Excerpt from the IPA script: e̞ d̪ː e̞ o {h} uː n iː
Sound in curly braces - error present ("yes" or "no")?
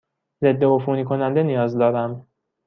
yes